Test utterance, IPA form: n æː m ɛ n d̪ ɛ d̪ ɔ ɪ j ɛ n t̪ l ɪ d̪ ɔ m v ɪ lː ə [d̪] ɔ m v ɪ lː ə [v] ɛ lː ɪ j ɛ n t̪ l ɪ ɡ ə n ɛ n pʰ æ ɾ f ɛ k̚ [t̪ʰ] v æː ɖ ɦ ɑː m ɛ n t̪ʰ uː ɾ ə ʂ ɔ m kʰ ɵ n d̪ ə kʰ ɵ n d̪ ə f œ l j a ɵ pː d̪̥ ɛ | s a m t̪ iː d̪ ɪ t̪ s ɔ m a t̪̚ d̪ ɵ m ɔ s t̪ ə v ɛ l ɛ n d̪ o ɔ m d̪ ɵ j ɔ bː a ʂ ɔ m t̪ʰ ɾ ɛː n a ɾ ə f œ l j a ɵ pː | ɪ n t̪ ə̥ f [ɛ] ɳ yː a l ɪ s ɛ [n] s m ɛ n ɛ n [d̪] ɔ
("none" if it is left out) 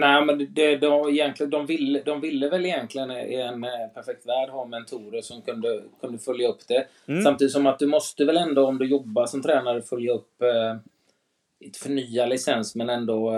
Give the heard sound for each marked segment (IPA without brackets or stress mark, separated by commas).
d̪, v, t̪, œ, n, d̪